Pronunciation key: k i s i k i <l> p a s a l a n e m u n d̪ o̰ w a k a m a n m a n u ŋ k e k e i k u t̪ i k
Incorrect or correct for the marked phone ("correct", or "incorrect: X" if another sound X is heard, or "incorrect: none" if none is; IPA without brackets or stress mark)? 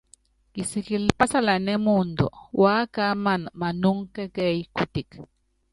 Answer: correct